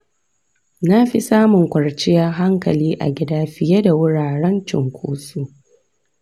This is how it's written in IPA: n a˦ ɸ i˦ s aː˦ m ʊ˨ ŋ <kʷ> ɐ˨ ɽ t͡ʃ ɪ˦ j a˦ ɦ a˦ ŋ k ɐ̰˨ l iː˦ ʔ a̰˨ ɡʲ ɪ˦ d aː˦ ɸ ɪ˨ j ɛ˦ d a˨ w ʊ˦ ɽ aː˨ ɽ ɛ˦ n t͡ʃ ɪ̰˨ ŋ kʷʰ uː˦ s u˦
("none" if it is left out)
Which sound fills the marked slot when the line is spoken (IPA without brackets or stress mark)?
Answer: kʷ